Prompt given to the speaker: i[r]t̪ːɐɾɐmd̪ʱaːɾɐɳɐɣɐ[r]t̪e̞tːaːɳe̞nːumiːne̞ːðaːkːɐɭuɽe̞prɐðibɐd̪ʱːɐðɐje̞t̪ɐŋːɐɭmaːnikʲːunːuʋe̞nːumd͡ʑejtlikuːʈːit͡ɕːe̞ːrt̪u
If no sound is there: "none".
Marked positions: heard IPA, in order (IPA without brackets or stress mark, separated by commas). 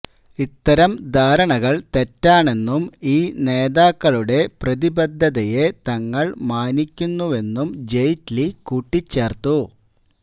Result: none, ɭ